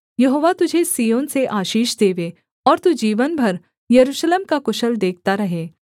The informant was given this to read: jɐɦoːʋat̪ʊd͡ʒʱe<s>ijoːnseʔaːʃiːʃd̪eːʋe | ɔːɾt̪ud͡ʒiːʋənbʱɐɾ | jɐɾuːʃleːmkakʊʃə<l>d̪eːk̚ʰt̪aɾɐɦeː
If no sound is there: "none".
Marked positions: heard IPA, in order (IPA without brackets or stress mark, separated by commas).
s, l